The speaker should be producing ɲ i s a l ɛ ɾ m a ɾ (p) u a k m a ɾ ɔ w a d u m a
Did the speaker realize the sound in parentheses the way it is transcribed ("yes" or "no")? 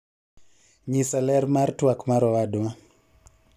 no